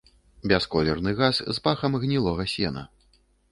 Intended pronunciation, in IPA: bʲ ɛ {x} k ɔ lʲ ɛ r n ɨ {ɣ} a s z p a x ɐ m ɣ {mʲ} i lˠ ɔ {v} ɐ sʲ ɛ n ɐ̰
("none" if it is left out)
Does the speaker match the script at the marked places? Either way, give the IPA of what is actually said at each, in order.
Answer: s, ɣ, nʲ, ɣ

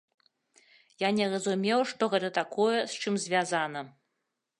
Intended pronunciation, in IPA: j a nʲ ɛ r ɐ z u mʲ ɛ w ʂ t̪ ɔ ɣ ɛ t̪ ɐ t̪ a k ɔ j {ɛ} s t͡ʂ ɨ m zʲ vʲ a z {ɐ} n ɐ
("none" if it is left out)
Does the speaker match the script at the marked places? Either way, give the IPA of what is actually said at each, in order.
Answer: ɛ, a

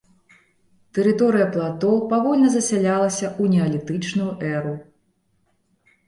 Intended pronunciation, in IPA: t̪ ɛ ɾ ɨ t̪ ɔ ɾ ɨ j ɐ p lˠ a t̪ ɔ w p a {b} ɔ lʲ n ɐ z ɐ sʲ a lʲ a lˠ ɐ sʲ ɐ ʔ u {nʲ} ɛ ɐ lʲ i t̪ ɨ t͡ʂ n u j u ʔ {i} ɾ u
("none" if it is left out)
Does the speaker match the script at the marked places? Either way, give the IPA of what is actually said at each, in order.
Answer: v, nʲ, ɛ

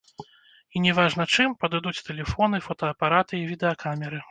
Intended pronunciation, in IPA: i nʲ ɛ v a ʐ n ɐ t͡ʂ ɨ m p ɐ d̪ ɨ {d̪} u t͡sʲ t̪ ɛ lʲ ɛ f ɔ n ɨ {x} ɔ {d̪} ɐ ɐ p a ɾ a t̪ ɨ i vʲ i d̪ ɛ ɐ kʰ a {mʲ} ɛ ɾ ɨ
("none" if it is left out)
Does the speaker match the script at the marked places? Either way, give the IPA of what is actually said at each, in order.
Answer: d̪, f, t̪, mʲ

